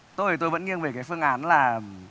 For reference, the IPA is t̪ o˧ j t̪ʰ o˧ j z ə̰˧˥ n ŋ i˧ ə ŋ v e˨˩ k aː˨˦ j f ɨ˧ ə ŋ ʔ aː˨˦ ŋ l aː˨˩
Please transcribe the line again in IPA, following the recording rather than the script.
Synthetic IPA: t̪ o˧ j t̪ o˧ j v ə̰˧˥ n ŋ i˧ ə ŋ v e˨˩ k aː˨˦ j f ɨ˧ ə ŋ ʔ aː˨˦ n l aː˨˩